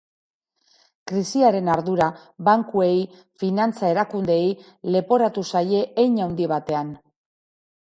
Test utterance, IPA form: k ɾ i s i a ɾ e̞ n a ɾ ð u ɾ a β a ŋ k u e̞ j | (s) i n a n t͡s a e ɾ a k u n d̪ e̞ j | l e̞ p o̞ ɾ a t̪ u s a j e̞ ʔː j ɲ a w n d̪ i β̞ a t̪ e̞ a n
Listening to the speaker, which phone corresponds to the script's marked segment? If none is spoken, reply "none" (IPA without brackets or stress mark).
f